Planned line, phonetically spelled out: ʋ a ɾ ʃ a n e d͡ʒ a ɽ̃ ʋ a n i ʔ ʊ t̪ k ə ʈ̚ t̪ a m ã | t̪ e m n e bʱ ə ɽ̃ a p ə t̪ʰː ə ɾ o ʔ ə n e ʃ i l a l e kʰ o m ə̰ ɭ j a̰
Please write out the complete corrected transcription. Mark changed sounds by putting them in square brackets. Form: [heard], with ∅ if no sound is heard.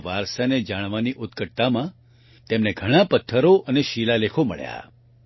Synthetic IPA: ʋ a ɾ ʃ a n e d͡ʒ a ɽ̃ ʋ a n i ʔ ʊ t̪ k ə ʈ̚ t̪ a m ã | t̪ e m n e [ɡʱ] ə ɽ̃ a p ə t̪ʰː ə ɾ o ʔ ə n e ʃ i l a l e kʰ o m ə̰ ɭ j a̰